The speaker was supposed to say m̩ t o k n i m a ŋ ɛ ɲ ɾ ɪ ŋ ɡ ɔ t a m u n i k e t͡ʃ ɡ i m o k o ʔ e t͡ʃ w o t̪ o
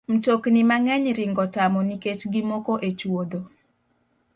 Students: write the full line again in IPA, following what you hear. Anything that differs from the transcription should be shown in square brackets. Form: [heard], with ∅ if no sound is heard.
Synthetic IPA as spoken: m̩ t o k n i m a ŋ ɛ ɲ ɾ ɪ ŋ ɡ ɔ t a m [ɔ] n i k e t͡ʃ ɡ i m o k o ʔ e t͡ʃ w o [d̪] o